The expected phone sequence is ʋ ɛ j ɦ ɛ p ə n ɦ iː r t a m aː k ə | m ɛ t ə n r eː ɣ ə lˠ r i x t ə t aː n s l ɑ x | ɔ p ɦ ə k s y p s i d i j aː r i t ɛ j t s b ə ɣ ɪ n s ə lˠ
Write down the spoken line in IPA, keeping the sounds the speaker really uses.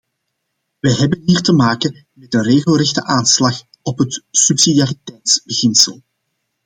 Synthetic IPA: ʋ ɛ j ɦ ɛ b ə n ɦ iː r t ə m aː k ə | m ɛ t ə n r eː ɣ ə lˠ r ɛ x t ə ʔ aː n s l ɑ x | ɔ p ɦ ə t s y p s i d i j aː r i t ɛ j t s b ə ɣ ɪ n s ə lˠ